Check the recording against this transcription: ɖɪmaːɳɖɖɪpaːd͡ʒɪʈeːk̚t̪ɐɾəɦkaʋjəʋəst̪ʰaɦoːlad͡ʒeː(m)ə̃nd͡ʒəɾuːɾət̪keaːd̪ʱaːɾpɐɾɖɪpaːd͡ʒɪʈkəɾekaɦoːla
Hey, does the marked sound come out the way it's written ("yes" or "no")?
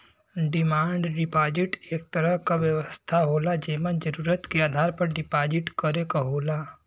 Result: yes